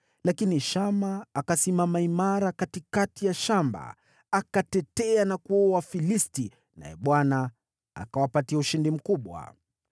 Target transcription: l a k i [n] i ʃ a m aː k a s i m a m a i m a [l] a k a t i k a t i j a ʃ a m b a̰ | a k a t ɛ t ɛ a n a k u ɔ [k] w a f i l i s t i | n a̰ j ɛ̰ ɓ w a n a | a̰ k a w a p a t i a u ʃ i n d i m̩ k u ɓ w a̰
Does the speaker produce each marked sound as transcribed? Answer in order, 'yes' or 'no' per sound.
yes, no, no

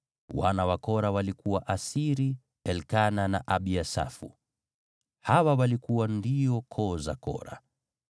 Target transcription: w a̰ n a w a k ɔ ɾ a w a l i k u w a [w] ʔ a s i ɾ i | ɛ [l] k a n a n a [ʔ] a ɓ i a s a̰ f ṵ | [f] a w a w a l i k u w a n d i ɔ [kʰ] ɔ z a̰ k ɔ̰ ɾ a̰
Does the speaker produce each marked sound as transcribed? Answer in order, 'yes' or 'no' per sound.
no, yes, yes, no, yes

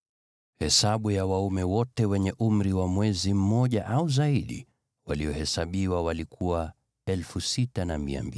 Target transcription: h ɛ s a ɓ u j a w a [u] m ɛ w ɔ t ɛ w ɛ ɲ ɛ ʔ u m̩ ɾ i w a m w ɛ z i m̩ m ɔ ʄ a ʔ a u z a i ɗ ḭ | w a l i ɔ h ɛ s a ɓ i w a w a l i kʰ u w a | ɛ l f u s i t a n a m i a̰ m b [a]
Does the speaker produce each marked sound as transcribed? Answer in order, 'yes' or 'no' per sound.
yes, no

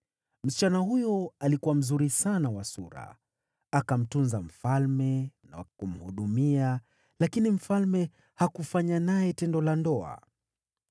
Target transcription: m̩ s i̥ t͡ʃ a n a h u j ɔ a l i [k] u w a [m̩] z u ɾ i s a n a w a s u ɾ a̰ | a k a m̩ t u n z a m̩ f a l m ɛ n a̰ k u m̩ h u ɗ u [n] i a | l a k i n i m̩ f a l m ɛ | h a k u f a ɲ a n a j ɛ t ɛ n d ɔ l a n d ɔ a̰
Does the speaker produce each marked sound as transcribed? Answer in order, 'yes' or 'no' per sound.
yes, yes, no

